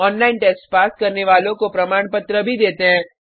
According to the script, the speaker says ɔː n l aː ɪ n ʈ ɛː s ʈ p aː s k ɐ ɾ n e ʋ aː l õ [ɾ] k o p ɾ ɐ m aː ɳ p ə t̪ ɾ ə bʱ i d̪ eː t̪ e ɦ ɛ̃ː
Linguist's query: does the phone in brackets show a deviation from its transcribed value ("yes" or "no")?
yes